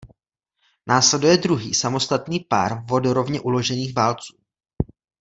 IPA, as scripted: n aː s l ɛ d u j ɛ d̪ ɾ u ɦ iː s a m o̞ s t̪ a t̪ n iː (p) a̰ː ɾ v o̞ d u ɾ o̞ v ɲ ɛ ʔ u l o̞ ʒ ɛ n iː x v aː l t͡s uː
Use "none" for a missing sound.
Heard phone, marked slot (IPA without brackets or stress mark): p